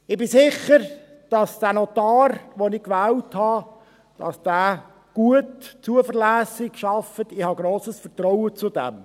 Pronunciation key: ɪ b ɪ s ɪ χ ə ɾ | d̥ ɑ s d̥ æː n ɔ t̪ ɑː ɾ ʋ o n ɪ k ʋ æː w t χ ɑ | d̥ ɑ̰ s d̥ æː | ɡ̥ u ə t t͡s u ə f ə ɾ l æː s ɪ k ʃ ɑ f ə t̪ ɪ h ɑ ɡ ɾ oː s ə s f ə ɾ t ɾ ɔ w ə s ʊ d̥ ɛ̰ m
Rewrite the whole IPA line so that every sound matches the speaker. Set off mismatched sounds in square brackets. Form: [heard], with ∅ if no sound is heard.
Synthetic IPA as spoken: ɪ b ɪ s ɪ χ ə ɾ | d̥ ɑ s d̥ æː n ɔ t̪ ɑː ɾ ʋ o n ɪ k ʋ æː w t [h] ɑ | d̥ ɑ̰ s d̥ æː | ɡ̥ u ə t t͡s u ə f ə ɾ l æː s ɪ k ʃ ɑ f ə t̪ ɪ h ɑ ɡ ɾ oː s ə s f ə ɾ t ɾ ɔ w ə [t͡s] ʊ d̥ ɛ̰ m